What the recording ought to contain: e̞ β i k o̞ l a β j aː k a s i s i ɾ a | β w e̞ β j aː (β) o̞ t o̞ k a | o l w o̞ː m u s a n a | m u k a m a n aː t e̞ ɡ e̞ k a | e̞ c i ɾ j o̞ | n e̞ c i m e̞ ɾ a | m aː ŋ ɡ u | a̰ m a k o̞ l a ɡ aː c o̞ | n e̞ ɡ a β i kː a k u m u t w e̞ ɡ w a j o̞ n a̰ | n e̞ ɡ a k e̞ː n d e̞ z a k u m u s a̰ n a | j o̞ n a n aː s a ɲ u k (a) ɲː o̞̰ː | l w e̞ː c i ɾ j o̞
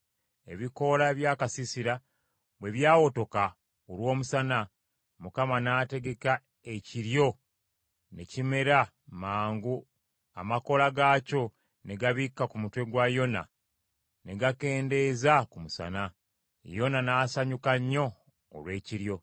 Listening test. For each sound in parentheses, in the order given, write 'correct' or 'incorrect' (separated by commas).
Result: incorrect, correct